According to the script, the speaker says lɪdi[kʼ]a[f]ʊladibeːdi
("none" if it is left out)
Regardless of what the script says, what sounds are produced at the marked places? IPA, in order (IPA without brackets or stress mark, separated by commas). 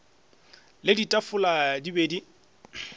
tʼ, f